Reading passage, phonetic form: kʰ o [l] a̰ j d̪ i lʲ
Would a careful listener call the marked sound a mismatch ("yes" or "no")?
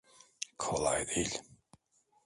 no